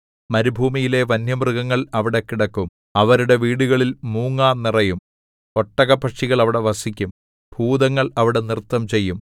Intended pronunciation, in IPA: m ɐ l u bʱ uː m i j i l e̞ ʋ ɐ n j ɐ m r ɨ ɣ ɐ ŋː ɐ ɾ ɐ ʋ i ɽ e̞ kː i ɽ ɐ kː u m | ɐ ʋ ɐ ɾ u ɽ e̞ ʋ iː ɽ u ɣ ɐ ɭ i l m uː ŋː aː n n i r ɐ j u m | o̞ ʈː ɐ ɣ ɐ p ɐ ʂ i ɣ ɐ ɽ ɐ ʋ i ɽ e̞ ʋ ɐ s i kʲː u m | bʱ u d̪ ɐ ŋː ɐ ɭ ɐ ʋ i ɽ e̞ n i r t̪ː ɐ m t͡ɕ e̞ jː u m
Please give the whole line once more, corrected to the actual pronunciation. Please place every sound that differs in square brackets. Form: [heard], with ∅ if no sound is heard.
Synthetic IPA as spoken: m ɐ [ɾ] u bʱ uː m i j i l e̞ ʋ ɐ n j ɐ m r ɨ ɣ ɐ ŋː ɐ [ɭ] ɐ ʋ i ɽ e̞ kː i ɽ ɐ kː u m | ɐ ʋ ɐ ɾ u ɽ e̞ ʋ iː ɽ u ɣ ɐ ɭ i l m uː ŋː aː n n i r ɐ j u m | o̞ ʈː ɐ ɣ ɐ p ɐ ʂ i ɣ ɐ [ɭ] ɐ ʋ i ɽ e̞ ʋ ɐ s i kʲː u m | bʱ [uː] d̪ ɐ ŋː ɐ ɭ ɐ ʋ i ɽ e̞ n i r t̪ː ɐ m t͡ɕ e̞ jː u m